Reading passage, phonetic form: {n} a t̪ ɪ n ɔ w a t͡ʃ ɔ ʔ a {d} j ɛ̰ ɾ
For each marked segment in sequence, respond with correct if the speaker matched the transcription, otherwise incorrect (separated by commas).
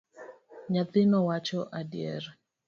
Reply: incorrect, correct